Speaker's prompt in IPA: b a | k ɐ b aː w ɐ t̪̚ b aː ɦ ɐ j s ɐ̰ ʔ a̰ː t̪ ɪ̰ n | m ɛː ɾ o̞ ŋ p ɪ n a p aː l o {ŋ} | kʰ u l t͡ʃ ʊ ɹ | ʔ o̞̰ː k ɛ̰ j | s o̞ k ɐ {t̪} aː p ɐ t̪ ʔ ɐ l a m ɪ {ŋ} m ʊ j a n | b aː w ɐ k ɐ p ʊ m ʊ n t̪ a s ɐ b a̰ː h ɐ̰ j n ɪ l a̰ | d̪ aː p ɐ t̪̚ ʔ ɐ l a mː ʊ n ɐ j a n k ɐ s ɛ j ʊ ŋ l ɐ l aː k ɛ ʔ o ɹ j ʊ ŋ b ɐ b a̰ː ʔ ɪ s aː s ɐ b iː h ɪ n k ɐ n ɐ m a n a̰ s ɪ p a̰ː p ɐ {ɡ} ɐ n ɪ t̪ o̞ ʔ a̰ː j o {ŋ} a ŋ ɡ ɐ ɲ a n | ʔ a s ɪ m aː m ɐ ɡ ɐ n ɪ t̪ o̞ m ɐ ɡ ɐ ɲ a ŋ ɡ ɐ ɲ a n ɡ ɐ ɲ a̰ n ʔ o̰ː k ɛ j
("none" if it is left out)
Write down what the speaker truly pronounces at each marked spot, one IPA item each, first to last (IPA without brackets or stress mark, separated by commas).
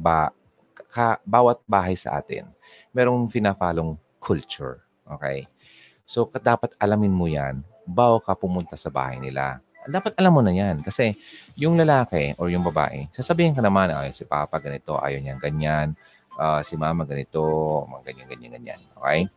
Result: ŋ, d̪, n, ɡ, ɲ